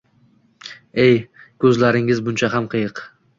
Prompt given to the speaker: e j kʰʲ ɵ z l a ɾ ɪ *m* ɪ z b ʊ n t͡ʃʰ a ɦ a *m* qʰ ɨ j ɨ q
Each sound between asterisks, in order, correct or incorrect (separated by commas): incorrect, correct